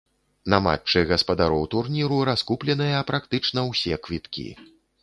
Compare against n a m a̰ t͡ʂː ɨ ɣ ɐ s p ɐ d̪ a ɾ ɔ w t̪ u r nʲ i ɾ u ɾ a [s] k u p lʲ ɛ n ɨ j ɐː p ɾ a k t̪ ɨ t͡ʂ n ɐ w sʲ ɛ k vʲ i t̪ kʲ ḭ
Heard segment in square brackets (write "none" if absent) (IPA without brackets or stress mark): s